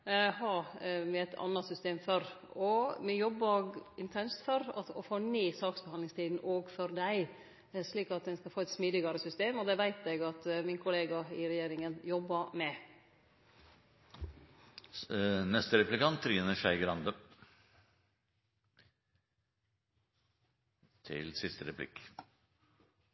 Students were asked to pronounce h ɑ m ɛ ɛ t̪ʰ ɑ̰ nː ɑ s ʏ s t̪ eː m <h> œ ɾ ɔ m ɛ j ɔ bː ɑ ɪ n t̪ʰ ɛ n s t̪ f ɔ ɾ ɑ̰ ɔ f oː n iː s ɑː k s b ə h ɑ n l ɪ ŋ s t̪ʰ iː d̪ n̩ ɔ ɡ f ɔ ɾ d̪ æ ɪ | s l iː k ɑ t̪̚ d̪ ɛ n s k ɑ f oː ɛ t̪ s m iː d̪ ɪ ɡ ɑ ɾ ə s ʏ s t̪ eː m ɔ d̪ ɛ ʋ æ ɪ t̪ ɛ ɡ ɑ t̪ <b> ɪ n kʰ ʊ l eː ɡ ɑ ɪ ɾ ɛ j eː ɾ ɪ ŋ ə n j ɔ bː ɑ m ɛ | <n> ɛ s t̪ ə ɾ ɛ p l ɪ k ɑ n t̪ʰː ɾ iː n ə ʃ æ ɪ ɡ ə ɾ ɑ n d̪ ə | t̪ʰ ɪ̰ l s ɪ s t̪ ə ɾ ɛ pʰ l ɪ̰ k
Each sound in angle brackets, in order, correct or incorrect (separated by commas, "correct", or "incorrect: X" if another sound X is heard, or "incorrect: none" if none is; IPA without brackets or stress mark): incorrect: f, incorrect: m, correct